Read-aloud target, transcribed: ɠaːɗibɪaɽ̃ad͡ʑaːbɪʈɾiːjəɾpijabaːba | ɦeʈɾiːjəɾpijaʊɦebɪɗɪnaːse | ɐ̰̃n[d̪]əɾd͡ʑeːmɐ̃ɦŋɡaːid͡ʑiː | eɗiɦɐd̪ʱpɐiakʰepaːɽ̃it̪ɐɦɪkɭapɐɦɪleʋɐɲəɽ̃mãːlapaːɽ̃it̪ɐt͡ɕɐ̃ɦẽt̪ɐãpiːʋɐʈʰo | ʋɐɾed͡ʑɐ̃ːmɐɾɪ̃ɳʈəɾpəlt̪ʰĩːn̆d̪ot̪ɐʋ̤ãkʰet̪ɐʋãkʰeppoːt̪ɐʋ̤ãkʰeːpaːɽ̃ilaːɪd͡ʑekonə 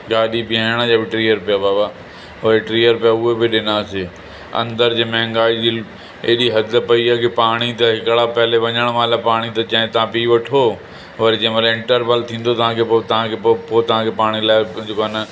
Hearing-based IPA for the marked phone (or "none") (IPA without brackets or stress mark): d̪